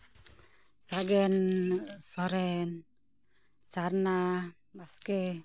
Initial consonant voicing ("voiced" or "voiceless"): voiceless